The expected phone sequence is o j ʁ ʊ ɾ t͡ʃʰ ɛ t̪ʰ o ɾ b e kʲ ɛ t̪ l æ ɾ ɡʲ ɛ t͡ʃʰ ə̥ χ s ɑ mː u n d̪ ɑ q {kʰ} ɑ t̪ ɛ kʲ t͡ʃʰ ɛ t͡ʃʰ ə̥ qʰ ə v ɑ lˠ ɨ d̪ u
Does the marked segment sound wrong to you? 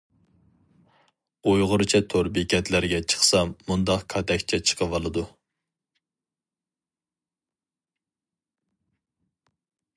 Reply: no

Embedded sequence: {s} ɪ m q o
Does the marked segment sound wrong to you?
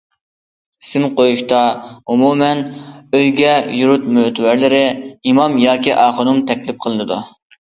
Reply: no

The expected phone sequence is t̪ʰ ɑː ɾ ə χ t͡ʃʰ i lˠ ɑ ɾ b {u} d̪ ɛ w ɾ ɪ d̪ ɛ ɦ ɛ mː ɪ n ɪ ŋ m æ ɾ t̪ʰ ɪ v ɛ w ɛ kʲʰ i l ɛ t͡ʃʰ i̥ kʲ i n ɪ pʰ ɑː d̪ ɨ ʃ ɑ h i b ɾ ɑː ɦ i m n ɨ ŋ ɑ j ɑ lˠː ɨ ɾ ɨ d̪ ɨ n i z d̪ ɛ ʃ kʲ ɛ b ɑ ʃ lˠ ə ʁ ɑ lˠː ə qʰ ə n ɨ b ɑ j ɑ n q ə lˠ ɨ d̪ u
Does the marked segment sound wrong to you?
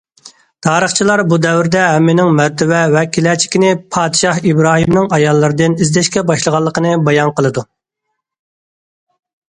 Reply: no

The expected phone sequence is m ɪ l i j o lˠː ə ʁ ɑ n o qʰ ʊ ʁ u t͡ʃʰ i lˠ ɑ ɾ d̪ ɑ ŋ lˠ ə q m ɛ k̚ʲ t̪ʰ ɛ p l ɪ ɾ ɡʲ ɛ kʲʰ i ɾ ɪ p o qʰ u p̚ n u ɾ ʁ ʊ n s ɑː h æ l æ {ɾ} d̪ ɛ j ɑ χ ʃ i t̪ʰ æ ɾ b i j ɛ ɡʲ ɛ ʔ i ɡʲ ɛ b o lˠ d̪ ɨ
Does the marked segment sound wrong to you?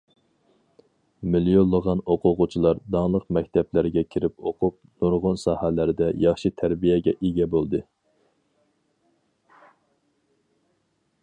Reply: no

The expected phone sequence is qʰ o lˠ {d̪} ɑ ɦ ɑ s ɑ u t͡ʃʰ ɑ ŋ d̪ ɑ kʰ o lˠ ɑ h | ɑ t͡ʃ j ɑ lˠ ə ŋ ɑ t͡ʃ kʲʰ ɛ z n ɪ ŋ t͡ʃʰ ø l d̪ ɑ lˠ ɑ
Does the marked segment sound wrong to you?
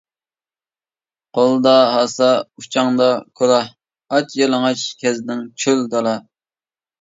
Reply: no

